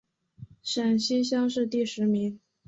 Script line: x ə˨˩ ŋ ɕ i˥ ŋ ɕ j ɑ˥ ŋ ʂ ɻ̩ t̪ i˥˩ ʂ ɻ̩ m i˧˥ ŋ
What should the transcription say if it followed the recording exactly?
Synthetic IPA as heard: ʂ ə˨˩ n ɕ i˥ n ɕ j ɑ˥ ŋ ʂ ɻ̩ t̪ i˥˩ ʂ ɻ̩ m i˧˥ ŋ